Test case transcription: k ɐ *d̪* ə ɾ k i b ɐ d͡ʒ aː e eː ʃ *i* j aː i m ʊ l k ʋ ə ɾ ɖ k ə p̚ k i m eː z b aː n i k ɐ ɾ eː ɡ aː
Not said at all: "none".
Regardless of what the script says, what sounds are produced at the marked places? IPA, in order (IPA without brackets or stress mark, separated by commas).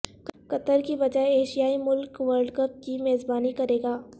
t̪, i